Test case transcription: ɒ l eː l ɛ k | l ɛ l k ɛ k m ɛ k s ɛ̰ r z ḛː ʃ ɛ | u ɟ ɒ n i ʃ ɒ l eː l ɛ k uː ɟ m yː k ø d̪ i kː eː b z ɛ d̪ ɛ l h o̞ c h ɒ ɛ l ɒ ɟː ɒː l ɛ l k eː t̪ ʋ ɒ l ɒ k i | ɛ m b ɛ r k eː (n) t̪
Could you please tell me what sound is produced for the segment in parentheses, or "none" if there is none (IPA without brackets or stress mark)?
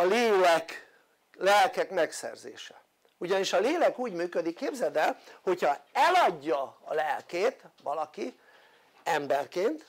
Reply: n